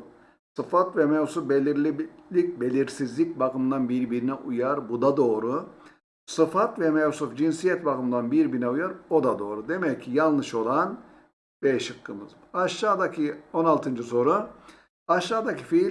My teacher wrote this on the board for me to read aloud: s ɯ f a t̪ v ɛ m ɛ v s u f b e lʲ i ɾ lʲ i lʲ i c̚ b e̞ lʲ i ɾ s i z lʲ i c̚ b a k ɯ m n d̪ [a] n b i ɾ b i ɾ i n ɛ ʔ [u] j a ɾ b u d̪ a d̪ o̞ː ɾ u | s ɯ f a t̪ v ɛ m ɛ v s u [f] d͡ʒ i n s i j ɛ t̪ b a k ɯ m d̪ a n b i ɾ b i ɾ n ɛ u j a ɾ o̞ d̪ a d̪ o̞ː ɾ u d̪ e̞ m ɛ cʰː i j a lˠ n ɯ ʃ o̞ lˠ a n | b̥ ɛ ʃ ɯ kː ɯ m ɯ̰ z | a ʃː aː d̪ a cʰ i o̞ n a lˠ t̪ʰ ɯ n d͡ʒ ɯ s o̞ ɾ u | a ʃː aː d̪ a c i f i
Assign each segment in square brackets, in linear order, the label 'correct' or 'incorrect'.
correct, correct, correct

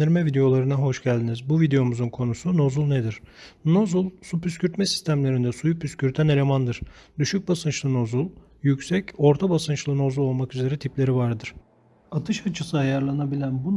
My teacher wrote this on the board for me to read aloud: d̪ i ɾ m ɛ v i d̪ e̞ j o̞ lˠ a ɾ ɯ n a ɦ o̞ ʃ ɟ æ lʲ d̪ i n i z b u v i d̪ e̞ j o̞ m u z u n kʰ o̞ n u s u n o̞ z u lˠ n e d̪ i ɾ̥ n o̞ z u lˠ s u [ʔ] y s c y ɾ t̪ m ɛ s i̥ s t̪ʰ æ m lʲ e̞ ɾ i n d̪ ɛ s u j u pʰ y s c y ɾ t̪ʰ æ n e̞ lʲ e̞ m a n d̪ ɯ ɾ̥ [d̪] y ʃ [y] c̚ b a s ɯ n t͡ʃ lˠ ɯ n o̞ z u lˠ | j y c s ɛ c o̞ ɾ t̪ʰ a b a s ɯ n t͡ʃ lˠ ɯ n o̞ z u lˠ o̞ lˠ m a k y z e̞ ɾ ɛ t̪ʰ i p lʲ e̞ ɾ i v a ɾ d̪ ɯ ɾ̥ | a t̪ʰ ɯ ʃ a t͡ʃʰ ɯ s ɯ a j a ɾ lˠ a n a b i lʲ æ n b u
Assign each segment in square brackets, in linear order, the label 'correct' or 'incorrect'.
incorrect: p, correct, correct

